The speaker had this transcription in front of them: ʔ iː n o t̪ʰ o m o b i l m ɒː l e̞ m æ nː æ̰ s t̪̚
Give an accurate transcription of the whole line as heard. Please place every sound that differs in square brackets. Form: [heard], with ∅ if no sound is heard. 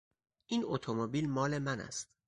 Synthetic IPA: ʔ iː n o t̪ʰ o m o b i l m ɒː l e̞ m æ [n] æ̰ s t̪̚